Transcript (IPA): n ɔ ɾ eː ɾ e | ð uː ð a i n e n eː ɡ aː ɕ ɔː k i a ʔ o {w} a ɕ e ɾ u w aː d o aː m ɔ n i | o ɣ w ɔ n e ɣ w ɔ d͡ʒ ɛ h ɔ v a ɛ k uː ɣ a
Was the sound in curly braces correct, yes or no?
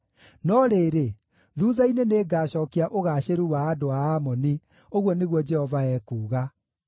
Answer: no